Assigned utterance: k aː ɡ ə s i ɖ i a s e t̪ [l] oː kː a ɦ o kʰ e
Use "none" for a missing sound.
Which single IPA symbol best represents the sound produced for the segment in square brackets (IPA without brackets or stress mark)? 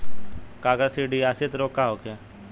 ɾ